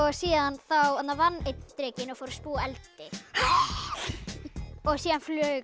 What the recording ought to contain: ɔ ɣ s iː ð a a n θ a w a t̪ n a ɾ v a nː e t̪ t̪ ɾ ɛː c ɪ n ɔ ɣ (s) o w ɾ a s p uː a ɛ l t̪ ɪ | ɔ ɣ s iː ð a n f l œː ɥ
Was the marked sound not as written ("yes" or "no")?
yes